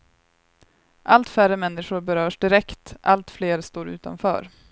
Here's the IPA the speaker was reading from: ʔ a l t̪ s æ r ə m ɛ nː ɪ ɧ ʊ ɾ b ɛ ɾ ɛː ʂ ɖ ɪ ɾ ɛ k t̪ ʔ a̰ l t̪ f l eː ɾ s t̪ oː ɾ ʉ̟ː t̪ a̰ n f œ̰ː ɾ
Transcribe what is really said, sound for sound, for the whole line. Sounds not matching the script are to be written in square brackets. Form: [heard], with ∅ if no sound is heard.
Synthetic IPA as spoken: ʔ a l t̪ [f] æ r ə m ɛ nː ɪ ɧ ʊ ɾ b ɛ ɾ [œː] ʂ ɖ ɪ ɾ ɛ k t̪ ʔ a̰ l t̪ f l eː ɾ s t̪ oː ɾ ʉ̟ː t̪ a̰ n f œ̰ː ɾ